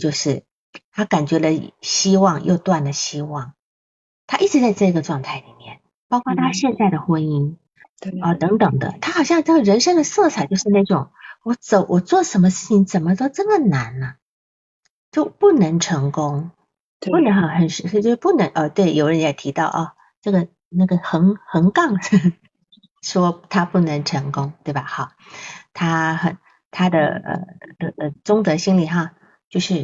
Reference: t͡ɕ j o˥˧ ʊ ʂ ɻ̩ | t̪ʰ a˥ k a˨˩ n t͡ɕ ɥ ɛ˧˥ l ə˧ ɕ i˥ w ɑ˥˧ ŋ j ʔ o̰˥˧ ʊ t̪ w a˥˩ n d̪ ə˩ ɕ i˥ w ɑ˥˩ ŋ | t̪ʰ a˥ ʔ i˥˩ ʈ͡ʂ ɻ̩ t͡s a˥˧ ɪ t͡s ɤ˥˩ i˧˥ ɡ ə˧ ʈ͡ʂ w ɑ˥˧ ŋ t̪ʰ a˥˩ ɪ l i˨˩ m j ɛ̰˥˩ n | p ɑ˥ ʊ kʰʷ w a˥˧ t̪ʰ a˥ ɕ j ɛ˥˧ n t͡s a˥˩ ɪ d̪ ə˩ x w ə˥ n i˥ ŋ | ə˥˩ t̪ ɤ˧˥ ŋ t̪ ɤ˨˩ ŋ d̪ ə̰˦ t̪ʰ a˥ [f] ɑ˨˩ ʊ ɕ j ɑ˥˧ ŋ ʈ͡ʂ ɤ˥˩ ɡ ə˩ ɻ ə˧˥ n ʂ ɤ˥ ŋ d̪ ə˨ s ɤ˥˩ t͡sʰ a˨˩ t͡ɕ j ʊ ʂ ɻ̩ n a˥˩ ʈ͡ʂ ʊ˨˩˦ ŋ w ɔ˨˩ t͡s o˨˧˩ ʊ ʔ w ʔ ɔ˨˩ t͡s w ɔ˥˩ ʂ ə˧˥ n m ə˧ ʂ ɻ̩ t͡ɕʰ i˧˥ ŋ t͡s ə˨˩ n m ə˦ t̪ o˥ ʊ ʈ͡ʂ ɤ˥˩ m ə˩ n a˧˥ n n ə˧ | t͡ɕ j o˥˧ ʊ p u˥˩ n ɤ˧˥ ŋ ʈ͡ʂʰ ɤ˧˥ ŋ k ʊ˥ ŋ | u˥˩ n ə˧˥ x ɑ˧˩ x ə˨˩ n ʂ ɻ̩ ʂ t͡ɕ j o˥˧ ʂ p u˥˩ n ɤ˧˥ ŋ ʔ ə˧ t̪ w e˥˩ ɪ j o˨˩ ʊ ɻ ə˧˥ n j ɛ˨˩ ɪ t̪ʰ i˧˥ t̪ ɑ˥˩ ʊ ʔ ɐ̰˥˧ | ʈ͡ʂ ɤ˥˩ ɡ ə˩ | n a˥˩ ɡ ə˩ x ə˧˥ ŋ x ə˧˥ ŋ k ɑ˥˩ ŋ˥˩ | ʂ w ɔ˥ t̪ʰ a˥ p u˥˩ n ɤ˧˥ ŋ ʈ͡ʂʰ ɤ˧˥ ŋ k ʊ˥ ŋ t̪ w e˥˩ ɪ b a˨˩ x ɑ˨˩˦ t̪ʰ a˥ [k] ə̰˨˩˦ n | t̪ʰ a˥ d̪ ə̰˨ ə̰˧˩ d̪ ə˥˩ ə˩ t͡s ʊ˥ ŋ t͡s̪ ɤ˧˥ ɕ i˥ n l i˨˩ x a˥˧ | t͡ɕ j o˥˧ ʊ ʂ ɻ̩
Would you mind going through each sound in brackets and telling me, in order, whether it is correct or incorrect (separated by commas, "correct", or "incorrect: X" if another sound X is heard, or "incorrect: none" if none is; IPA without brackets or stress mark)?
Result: incorrect: x, incorrect: x